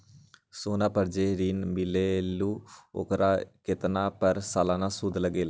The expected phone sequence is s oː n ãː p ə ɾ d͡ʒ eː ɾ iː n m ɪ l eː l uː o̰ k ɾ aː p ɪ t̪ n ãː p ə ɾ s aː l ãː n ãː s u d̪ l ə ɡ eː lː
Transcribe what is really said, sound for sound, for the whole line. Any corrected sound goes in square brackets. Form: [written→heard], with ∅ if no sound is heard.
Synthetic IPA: s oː n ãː p ə ɾ d͡ʒ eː ɾ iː n m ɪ l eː l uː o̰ k ɾ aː [p→k] ɪ t̪ n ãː p ə ɾ s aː l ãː n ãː s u d̪ l ə ɡ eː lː